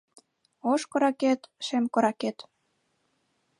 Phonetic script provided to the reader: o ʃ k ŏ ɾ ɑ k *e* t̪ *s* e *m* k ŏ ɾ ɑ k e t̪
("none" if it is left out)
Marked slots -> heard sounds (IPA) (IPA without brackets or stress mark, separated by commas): e, ʃ, m